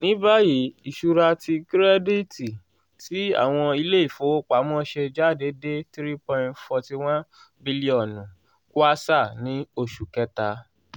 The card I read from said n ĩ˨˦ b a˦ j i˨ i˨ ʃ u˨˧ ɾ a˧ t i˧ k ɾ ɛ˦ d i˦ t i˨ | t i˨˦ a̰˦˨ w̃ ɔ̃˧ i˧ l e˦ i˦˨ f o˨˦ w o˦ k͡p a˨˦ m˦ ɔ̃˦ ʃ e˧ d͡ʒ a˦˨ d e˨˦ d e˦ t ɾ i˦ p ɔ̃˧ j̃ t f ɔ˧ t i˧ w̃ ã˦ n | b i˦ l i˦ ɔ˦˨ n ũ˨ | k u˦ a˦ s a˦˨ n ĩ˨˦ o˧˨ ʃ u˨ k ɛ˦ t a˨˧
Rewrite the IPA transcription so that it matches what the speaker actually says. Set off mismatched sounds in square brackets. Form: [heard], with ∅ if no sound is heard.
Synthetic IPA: n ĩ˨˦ b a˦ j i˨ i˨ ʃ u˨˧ ɾ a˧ t i˧ k ɾ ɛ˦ d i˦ t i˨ | t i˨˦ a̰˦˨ w̃ ɔ̃˧ i˧ l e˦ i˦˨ f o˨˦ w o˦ k͡p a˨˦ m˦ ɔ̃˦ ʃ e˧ d͡ʒ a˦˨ d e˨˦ d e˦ t ɾ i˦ p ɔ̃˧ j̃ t f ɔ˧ t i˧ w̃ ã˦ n | b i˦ l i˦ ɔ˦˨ n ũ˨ | k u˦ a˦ s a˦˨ n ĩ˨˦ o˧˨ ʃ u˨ k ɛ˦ t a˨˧